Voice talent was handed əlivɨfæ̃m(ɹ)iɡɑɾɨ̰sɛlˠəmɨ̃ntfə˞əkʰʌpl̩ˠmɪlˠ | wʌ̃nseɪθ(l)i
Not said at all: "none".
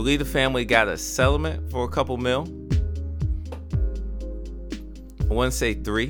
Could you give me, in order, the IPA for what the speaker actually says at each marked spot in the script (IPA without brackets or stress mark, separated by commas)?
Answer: l, ɹ